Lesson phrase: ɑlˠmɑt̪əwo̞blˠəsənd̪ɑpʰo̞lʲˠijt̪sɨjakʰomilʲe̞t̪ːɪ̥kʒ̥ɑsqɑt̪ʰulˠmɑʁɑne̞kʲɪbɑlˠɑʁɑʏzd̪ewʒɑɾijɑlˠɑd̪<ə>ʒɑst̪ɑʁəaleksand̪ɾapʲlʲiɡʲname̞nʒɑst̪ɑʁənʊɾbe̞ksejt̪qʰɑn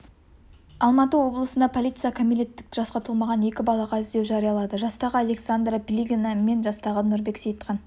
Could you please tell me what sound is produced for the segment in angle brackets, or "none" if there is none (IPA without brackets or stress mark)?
ə